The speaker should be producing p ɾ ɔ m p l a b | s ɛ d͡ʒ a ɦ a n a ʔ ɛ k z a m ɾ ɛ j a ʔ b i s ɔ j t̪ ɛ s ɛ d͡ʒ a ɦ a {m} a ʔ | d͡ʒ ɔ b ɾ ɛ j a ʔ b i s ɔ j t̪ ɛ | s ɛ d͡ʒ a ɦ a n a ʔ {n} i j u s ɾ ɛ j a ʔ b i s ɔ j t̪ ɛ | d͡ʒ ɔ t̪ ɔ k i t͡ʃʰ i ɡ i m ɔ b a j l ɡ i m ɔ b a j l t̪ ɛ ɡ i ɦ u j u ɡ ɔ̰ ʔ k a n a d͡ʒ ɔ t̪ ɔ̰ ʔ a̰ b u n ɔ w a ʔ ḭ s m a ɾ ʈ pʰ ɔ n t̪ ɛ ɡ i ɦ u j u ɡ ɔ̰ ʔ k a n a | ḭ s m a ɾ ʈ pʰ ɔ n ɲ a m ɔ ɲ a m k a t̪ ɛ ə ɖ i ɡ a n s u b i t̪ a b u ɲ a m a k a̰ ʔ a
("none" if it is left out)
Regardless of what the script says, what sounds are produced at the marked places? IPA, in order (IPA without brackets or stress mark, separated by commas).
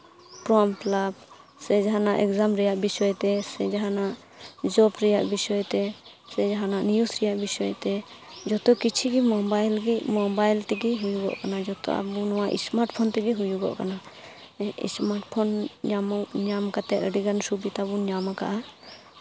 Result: n, n